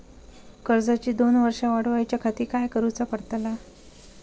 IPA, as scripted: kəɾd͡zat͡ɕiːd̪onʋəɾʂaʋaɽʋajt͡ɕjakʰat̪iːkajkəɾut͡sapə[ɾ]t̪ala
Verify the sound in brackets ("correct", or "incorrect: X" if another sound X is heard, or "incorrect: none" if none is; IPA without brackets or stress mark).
incorrect: ɽ